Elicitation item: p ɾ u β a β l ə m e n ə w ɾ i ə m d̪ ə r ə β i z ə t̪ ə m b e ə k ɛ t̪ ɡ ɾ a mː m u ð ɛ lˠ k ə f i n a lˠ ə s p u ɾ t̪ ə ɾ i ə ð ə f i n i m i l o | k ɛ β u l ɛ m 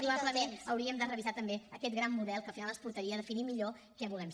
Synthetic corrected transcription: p ɾ u β a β l ə m e n ə w ɾ i ə m d̪ ə r ə β i z a t̪ ə m b e ə k ɛ t̪ ɡ ɾ a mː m u ð ɛ lˠ k ə f i n a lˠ ə s p u ɾ t̪ ə ɾ i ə ð ə f i n i m i ʎ o | k ɛ β u l ɛ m